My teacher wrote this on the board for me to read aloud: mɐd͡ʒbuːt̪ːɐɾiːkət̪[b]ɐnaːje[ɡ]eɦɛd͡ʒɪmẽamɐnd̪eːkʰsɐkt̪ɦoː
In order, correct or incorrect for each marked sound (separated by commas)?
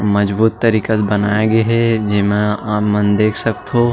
correct, correct